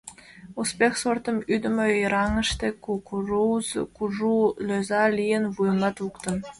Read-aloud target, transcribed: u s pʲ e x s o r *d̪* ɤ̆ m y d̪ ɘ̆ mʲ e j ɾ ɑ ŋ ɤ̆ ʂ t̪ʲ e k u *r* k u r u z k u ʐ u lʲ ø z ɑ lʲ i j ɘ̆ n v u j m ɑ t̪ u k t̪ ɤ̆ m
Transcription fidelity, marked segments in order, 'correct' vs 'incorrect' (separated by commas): incorrect, incorrect